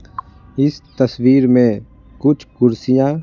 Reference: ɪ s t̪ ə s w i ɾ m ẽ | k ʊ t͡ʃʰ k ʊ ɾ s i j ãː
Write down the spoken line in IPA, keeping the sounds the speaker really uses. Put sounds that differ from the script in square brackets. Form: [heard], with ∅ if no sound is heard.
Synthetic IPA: ɪ s t̪ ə s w [iː] ɾ m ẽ | k ʊ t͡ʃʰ k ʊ ɾ s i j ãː

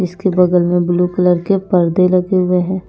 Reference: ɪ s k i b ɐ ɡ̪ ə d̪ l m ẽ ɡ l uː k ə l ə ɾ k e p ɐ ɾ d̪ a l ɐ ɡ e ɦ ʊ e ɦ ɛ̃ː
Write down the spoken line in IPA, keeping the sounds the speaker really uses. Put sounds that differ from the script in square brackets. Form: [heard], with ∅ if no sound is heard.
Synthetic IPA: ɪ s k [e] b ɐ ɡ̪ ə [∅] l m ẽ [b] l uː k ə l ə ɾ k e p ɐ ɾ d̪ [e] l ɐ ɡ e ɦ ʊ e ɦ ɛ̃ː

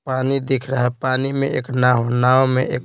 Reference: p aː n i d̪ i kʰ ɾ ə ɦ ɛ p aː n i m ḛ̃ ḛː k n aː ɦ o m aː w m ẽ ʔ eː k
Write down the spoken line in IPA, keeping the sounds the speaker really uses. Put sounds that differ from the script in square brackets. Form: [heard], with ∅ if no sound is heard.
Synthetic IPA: p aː n i d̪ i kʰ ɾ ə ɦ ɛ p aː n i m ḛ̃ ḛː k n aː ɦ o [n] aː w m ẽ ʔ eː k

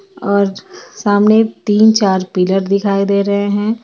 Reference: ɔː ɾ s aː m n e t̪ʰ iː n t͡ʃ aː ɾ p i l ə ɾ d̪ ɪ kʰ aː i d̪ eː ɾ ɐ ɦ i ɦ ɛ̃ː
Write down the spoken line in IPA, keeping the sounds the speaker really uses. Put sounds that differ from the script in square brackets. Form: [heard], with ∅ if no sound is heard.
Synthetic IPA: ɔː ɾ s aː m n e [t̪] iː n t͡ʃ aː ɾ p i l ə ɾ d̪ ɪ kʰ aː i d̪ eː ɾ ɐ ɦ [e] ɦ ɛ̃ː

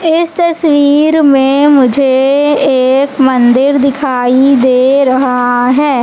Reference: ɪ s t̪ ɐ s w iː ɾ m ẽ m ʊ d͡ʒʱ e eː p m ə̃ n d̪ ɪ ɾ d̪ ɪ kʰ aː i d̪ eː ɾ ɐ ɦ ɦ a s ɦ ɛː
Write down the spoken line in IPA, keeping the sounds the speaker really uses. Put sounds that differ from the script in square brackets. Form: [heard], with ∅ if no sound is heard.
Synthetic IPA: ɪ s t̪ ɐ s w iː ɾ m ẽ m ʊ d͡ʒʱ e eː [k] m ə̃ n d̪ ɪ ɾ d̪ ɪ kʰ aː i d̪ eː ɾ ɐ ɦ ɦ a [∅] ɦ ɛː

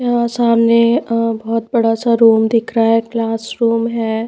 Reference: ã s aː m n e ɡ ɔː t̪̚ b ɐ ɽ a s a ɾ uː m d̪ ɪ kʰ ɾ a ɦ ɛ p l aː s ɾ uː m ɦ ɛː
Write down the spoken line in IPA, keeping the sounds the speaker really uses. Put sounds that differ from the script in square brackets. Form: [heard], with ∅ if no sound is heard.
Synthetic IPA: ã s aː m n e [b] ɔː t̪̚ b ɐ ɽ a s a ɾ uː m d̪ ɪ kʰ ɾ a ɦ ɛ [k] l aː s ɾ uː m ɦ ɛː

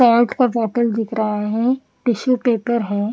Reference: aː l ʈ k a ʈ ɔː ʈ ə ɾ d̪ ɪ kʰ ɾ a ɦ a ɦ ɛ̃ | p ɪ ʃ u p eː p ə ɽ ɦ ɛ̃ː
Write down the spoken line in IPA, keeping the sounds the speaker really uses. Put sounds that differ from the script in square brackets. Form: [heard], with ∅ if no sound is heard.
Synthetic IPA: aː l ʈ k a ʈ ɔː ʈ ə [l] d̪ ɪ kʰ ɾ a ɦ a ɦ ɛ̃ | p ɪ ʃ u p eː p ə [ɾ] ɦ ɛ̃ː

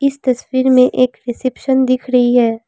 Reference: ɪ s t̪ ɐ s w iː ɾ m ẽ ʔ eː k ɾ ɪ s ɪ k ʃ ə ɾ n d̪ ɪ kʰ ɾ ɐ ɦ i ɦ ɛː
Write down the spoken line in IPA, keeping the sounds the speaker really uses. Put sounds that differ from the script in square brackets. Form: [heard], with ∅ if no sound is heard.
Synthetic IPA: ɪ s t̪ ɐ s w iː ɾ m ẽ ʔ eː k ɾ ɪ s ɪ [p] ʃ ə [∅] n d̪ ɪ kʰ ɾ ɐ ɦ i ɦ ɛː

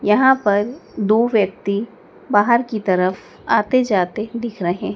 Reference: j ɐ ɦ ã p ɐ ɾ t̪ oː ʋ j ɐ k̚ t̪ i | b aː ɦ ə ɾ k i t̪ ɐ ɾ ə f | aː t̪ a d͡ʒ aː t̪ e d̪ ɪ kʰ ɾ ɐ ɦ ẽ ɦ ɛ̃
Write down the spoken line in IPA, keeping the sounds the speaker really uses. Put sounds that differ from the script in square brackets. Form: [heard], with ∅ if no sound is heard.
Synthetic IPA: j ɐ ɦ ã p ɐ ɾ [d̪] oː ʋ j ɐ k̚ t̪ i | b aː ɦ ə ɾ k i t̪ ɐ ɾ ə f | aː t̪ [e] d͡ʒ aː t̪ e d̪ ɪ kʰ ɾ ɐ ɦ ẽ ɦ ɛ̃

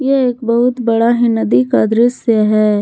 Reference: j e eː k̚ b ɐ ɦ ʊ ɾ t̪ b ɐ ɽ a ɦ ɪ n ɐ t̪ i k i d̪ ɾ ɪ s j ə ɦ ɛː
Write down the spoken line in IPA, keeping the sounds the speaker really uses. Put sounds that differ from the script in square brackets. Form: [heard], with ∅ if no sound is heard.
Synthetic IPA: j e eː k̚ b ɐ ɦ ʊ [∅] t̪ b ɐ ɽ a ɦ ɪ n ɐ [d̪] i k [a] d̪ ɾ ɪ s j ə ɦ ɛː

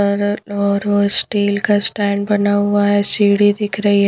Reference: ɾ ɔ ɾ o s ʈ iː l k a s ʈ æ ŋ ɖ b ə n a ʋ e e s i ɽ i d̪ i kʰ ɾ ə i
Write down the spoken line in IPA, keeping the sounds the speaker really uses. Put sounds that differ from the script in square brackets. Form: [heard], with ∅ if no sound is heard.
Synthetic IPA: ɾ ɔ ɾ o s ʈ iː l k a s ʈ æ [ɳ] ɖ b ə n a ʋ [a] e s i ɽ i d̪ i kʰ ɾ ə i

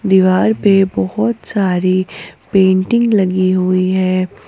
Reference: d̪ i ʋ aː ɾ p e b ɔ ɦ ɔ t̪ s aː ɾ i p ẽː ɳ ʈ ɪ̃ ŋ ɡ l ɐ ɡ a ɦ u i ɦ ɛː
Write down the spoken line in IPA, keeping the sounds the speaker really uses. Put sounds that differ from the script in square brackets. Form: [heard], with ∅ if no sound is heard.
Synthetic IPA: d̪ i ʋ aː ɾ p e b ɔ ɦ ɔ t̪ s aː ɾ i p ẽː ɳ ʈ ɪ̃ ŋ ɡ l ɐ ɡ [i] ɦ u i ɦ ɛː

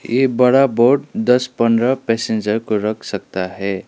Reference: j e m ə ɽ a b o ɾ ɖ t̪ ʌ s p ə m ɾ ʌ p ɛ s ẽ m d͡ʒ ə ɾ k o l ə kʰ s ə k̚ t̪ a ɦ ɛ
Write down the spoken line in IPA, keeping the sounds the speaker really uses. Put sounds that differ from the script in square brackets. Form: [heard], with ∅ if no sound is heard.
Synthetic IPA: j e [b] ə ɽ a b o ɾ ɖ [d̪] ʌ s p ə [n] ɾ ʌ p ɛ s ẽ [n] d͡ʒ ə ɾ k o [ɾ] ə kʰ s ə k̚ t̪ a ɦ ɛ

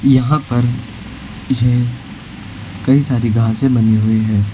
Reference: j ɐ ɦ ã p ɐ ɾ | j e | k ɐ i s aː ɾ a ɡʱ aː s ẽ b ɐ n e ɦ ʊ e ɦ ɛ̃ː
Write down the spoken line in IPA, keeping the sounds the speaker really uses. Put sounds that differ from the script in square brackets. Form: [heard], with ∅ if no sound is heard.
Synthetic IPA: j ɐ ɦ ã p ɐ ɾ | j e | k ɐ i s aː ɾ [i] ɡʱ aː s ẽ b ɐ n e ɦ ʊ e ɦ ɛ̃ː

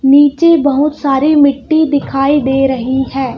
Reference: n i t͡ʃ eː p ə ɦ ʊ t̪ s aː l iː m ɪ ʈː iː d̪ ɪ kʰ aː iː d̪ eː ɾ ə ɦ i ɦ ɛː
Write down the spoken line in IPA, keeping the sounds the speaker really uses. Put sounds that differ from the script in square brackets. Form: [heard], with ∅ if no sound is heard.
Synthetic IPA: n [iː] t͡ʃ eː [b] ə ɦ ʊ t̪ s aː [ɾ] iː m ɪ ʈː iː d̪ ɪ kʰ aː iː d̪ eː ɾ ə ɦ i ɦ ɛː

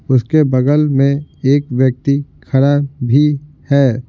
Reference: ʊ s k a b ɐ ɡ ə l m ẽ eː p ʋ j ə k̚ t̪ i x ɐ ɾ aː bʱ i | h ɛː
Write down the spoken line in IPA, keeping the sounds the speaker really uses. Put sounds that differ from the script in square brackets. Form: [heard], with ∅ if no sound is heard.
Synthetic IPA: ʊ s k [e] b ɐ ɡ ə l m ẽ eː [k] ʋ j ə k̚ t̪ i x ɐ ɾ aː bʱ i | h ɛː

